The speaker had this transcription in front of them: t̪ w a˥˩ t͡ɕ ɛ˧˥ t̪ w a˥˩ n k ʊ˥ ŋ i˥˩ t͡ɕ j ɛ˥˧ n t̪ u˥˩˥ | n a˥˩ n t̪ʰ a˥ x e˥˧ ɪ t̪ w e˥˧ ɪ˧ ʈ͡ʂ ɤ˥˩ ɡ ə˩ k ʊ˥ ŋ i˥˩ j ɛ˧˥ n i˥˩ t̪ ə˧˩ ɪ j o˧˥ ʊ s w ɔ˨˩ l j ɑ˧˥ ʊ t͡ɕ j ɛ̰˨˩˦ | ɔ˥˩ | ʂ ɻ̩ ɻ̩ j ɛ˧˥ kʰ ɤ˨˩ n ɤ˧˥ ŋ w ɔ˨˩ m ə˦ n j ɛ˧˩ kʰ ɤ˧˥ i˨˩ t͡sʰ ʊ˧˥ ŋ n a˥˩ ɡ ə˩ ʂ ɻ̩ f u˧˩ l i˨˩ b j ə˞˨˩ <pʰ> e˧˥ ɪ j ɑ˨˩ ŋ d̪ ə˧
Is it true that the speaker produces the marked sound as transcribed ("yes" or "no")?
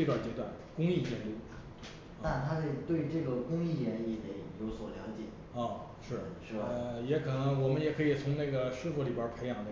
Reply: yes